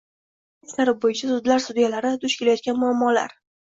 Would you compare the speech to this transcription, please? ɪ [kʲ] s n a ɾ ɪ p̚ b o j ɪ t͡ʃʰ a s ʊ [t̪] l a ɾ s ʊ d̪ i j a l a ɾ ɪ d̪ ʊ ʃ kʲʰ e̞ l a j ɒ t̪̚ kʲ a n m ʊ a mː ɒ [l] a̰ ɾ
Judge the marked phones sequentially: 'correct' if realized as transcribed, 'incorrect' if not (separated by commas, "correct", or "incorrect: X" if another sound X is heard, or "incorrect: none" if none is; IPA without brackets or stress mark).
incorrect: none, incorrect: d̪, correct